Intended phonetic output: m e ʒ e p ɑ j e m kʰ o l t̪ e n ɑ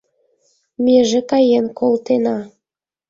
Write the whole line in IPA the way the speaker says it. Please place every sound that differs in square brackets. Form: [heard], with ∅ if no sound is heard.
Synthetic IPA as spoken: m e ʒ e [k] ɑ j e [n] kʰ o l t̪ e n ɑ